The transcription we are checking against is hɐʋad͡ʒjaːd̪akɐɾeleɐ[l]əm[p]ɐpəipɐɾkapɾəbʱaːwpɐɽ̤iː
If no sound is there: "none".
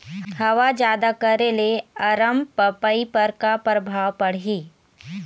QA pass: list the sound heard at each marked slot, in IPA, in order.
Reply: ɾ, p

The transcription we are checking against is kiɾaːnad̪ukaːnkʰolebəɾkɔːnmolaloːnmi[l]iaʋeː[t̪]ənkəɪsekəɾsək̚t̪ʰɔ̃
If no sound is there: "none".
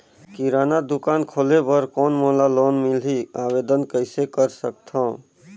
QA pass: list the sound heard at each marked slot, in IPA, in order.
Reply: l, d̪

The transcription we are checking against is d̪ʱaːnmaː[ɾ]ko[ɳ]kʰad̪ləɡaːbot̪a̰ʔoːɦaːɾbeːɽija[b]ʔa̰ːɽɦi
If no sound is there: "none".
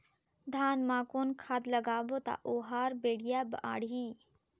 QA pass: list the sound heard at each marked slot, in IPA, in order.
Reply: none, n, b

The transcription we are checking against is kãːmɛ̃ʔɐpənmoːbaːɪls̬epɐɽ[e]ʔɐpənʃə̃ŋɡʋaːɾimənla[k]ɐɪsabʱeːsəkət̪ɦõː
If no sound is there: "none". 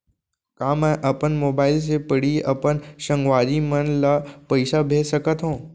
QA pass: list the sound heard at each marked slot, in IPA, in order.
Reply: i, p

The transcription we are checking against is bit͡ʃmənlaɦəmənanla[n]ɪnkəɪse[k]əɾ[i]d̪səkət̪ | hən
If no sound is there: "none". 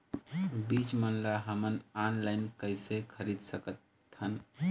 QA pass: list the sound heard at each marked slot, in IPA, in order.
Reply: none, kʰ, i

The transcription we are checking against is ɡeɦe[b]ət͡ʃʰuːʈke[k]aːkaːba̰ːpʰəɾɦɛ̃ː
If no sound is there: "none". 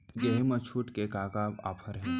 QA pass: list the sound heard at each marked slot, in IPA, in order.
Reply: m, k

